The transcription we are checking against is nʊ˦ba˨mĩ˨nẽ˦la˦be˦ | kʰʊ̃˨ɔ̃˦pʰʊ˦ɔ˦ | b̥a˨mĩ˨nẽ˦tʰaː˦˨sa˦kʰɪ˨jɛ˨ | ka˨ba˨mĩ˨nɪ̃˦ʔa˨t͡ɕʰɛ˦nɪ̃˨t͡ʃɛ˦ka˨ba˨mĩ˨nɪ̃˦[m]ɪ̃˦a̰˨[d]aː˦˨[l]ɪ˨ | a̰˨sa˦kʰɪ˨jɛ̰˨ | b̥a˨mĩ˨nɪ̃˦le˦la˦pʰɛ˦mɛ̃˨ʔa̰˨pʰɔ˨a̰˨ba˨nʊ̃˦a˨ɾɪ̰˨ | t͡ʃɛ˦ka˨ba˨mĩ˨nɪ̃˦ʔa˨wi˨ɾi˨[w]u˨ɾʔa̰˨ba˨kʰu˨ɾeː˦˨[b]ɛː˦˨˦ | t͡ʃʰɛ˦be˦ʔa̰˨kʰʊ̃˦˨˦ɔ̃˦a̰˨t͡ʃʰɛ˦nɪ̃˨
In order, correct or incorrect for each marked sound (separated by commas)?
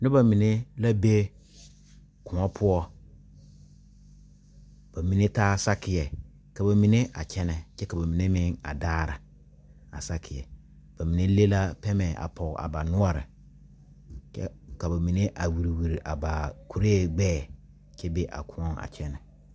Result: correct, correct, incorrect, correct, incorrect